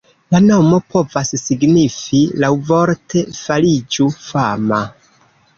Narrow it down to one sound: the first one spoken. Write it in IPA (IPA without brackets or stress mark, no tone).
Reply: l